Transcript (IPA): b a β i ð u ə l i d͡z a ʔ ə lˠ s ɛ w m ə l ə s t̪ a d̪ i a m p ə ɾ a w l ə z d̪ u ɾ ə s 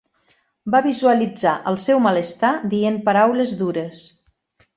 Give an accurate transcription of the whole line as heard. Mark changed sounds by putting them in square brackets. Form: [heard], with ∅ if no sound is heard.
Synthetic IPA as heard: b a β i [z] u ə l i d͡z a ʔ ə lˠ s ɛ w m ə l ə s t̪ a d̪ i [e] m p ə ɾ a w l ə z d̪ u ɾ ə s

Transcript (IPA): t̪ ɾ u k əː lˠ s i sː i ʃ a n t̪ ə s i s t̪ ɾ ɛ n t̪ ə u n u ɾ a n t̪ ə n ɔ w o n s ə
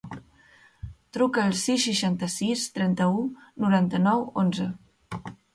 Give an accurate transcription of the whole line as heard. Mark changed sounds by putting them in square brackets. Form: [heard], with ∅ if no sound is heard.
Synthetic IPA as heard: t̪ ɾ u k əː lˠ s i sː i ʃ a n t̪ ə s i s t̪ ɾ ɛ n t̪ ə u n u ɾ a n t̪ ə n ɔ w o n [z] ə

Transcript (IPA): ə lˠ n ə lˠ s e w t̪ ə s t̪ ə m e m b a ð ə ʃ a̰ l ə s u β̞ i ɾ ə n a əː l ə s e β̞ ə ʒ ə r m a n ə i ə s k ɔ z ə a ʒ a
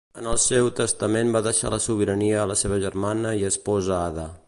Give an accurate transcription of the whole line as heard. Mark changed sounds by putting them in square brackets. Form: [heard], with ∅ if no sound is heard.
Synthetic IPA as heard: ə [∅] n ə lˠ s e w t̪ ə s t̪ ə m e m b a ð ə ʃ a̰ l ə s u β̞ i ɾ ə n [i] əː l ə s e β̞ ə ʒ ə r m a n ə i ə s [p] ɔ z ə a [ð] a

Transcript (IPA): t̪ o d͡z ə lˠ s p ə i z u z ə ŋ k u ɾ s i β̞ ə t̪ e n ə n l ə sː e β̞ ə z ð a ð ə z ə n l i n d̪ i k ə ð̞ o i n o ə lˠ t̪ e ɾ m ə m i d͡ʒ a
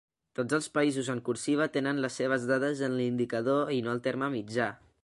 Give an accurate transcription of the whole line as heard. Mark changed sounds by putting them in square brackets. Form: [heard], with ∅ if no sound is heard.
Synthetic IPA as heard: t̪ o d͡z ə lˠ s p ə i z u z ə ŋ k u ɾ s i β̞ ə t̪ e n ə n l ə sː e β̞ ə z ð a ð ə z ə n l i n d̪ i k ə ð̞ o i n o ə lˠ t̪ e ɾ m ə m i d͡ʒ a

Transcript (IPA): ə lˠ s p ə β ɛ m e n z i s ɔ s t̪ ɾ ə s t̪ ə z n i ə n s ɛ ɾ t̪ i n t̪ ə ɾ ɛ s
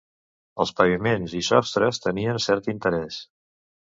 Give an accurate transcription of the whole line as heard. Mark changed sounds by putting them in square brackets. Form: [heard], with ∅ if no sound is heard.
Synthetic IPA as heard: ə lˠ s p ə β [i] m e n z i s ɔ s t̪ ɾ ə s t̪ ə [∅] n i ə n s ɛ ɾ t̪ i n t̪ ə ɾ ɛ s

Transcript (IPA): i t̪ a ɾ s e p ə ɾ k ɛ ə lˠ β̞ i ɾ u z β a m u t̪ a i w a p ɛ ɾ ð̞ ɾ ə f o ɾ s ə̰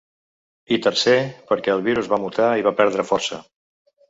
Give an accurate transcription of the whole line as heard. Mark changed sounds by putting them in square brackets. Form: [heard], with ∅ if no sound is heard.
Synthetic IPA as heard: i t̪ [ə] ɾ s e p ə ɾ k ɛ ə lˠ β̞ i ɾ u z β a m u t̪ a i [β] a p ɛ ɾ ð̞ ɾ ə f [ɔ] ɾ s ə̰

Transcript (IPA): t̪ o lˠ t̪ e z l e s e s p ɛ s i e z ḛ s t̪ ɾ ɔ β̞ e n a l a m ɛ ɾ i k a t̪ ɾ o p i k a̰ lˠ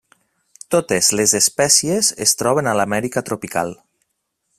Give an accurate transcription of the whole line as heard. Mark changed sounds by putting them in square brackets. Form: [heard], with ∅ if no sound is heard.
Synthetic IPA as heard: t̪ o [∅] t̪ e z l e [z] e s p ɛ s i e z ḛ s t̪ ɾ ɔ β̞ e n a l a m ɛ ɾ i k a t̪ ɾ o p i k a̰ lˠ

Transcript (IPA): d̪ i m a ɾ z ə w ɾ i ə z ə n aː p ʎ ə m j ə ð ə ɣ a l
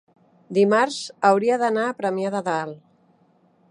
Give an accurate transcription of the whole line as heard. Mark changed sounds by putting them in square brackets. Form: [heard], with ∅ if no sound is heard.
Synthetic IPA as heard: d̪ i m a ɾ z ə w ɾ i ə [ð] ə n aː p [ɾ] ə m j [a] ð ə [ð] a l

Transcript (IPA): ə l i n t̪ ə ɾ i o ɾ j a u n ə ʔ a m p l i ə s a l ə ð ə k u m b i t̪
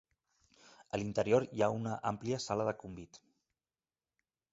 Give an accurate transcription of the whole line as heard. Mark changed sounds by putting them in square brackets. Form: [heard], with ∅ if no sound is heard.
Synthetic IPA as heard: ə l i n t̪ ə ɾ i o ɾ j a u n ə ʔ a m p l i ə s a l ə ð ə k u m b i t̪

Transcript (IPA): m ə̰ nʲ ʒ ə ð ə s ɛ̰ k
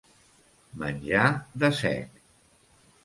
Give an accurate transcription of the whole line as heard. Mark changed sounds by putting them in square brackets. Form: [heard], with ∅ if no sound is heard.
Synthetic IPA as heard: m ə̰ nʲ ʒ [a] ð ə s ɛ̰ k

